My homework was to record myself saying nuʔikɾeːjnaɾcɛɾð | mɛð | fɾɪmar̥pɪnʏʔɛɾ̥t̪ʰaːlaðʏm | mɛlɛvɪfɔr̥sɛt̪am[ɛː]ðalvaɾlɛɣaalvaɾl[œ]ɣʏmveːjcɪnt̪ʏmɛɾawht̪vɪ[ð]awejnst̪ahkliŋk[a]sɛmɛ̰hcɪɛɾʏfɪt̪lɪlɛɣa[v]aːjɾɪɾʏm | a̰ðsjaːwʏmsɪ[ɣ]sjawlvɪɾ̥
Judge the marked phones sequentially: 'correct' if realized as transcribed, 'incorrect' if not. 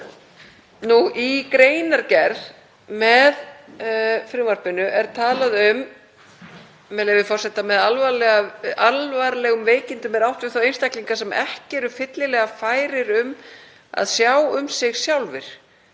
incorrect: ɛ, incorrect: ɛ, incorrect: θ, correct, incorrect: f, correct

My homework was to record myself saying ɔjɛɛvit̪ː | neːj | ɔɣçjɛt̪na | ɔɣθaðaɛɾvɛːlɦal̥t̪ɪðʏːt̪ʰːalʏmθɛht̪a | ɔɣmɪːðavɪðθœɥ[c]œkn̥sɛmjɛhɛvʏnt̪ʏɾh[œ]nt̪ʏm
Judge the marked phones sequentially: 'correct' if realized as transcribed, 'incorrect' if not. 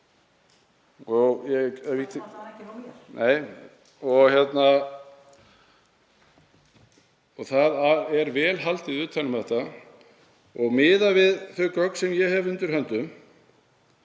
incorrect: k, correct

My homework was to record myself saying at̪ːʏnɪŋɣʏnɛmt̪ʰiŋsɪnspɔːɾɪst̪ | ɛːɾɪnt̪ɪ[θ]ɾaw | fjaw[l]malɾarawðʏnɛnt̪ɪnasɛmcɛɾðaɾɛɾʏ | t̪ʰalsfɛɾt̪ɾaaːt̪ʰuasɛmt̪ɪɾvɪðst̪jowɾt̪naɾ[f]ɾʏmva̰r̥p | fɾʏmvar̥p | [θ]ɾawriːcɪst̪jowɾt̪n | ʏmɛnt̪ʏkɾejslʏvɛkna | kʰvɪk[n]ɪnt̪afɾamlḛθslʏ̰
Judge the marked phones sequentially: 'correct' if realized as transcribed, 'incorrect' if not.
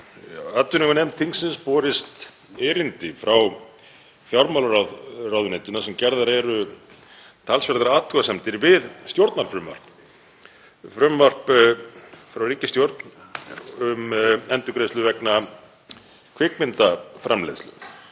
incorrect: f, incorrect: ɾ, correct, incorrect: f, incorrect: m

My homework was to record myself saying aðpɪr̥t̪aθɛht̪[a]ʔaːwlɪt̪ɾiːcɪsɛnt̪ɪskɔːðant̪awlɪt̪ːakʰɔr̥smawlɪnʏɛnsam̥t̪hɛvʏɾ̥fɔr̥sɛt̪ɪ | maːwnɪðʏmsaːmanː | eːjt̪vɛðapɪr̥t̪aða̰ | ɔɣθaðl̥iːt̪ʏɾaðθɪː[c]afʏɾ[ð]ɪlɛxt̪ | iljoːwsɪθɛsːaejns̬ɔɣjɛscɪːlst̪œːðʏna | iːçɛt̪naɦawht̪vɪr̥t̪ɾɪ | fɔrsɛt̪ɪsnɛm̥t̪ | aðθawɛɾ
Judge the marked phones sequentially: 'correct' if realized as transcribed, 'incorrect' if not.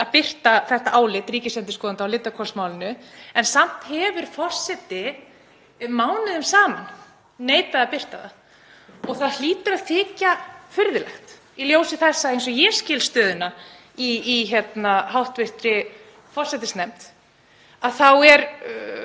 correct, correct, correct

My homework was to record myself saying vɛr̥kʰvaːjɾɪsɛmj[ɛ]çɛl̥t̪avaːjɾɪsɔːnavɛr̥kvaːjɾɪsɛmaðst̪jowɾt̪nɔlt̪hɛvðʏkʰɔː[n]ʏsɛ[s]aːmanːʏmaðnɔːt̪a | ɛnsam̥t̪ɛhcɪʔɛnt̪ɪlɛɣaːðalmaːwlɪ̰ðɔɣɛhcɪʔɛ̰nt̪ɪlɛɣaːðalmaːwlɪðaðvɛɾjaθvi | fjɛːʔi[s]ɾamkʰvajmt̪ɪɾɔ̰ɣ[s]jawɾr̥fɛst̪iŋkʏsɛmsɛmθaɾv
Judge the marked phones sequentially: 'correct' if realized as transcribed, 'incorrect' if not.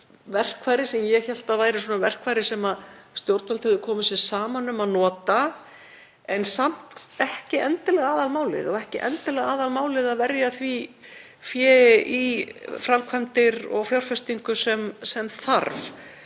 correct, incorrect: m, correct, incorrect: f, incorrect: f

